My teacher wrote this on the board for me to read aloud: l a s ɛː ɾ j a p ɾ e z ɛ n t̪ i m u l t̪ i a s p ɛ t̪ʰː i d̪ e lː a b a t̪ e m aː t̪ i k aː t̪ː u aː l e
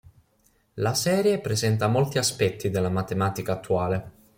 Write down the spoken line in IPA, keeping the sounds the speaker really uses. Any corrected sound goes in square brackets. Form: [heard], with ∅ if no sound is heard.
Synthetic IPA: l a s ɛː ɾ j [e] p ɾ e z ɛ n t̪ [a] m [o] l t̪ i a s p ɛ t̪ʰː i d̪ e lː a [m] a t̪ e m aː t̪ i k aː t̪ː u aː l e